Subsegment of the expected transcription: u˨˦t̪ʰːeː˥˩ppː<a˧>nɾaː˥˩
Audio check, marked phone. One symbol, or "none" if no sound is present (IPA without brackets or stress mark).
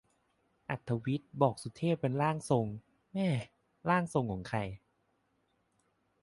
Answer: e˧